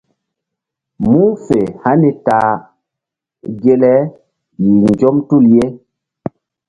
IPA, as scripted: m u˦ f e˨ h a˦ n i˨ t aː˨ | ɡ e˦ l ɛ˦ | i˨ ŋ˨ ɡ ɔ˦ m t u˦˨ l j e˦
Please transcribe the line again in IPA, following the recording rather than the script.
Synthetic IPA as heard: m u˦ f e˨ h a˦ n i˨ t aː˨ | ɡ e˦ l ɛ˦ | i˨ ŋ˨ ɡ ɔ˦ m t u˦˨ l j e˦

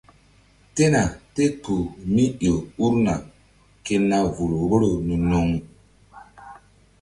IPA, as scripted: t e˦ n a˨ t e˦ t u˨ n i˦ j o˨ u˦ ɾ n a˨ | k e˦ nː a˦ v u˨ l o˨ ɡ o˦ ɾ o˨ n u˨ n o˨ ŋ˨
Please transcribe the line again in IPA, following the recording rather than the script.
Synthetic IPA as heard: t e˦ n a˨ t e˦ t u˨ m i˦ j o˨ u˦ ɾ n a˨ | k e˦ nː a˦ v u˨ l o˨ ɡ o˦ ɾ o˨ n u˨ n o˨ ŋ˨

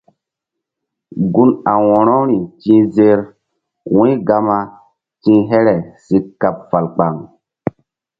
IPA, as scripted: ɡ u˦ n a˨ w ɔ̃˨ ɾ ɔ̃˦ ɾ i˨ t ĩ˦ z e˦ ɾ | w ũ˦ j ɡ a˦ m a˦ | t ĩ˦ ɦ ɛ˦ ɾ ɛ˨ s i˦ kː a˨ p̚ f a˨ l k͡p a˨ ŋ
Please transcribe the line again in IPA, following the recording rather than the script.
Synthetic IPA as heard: ɡ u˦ n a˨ w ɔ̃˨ ɾ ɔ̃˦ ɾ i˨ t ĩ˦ z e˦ ɾ | w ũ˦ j ɡ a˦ m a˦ | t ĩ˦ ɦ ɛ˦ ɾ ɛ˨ s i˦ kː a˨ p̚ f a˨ l k͡p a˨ ŋ

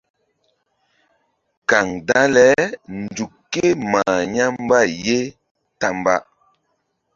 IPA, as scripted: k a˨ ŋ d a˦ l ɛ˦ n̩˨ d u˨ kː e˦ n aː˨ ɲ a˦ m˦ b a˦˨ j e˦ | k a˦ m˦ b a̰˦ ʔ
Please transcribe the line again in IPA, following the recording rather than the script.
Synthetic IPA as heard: k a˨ ŋ d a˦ l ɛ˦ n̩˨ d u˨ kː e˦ m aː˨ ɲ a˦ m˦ b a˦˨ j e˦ | t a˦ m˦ b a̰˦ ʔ

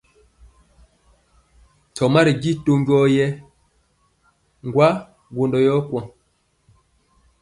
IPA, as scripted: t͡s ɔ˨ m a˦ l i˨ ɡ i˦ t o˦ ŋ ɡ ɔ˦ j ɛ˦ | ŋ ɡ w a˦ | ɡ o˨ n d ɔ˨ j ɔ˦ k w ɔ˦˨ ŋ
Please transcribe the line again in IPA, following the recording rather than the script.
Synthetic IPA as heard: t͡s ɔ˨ m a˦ ɾ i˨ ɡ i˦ t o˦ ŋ ɡ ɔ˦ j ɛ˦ | ŋ ɡ w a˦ | ɡ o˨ n d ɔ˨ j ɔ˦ k w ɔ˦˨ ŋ

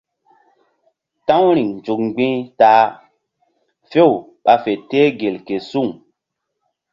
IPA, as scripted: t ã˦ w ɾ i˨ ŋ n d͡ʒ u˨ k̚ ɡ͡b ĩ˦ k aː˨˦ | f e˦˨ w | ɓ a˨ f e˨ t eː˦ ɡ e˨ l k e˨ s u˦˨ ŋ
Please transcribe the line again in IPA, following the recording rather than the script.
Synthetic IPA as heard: t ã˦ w ɾ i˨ ŋ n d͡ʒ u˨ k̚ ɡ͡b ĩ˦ t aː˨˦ | f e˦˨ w | ɓ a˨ f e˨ t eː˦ ɡ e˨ l k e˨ s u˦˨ ŋ

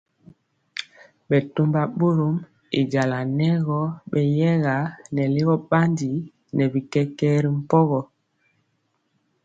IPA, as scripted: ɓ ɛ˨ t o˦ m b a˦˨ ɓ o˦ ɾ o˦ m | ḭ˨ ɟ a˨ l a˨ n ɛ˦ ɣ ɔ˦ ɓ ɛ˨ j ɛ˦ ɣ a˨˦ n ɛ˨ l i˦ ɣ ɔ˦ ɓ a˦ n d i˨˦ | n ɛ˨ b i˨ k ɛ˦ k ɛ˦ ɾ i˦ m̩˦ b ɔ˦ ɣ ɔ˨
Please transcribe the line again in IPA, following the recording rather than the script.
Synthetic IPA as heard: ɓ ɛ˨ t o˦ m b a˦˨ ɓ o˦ ɾ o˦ m | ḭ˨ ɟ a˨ l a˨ n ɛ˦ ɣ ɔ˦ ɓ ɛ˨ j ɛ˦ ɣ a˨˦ n ɛ˨ l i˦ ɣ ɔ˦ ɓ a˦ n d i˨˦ | n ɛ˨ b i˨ k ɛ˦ k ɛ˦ ɾ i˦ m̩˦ p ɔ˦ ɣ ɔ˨

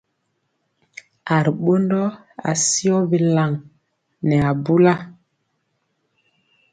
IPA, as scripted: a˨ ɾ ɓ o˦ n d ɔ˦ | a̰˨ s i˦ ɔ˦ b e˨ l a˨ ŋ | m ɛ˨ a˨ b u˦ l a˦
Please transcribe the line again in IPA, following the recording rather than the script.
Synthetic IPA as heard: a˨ ɾ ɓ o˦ n d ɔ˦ | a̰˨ s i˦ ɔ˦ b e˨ l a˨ ŋ | n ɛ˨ a˨ b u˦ l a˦

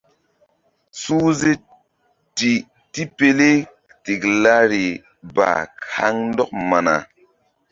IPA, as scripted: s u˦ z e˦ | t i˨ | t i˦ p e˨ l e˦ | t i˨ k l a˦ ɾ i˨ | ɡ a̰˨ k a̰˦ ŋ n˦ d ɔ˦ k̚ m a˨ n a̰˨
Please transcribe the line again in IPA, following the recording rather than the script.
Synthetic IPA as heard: s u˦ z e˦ | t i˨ | t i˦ p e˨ l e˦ | t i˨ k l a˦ ɾ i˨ | b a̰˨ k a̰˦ ŋ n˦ d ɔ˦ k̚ m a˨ n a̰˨

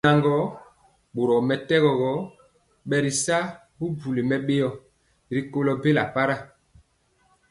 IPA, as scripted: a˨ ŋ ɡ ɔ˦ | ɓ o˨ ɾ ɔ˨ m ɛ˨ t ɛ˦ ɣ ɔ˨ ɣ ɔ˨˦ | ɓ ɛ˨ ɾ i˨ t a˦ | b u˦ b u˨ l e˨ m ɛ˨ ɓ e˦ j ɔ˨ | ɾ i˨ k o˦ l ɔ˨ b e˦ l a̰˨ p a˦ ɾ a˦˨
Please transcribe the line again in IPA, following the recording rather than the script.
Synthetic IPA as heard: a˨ ŋ ɡ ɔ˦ | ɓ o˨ ɾ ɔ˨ m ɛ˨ t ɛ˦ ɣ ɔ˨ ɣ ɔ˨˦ | ɓ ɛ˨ ɾ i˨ s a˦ | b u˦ b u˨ l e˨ m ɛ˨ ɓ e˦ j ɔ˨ | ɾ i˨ k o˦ l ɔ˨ b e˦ l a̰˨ p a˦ ɾ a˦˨

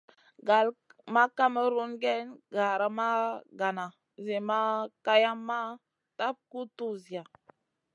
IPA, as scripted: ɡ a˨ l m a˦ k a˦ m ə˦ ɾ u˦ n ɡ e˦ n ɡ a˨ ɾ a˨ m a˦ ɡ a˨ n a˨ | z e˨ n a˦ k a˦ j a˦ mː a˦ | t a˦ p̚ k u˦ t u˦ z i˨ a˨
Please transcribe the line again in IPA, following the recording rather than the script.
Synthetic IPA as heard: ɡ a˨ l m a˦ k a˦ m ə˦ ɾ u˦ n ɡ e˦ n ɡ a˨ ɾ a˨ m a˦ ɡ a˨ n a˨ | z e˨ m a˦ k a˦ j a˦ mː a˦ | t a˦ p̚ k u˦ t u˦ z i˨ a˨

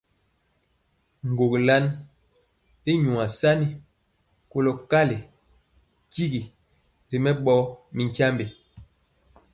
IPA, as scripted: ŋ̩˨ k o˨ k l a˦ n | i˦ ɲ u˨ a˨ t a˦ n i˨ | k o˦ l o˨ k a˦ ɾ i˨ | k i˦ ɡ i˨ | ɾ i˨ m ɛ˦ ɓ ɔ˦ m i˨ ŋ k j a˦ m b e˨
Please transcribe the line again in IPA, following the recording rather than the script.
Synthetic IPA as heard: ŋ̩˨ ɡ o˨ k l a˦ n | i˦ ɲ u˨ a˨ s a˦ n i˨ | k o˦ l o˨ k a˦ l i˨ | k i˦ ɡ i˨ | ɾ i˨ m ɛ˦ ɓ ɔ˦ m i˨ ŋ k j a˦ m b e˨

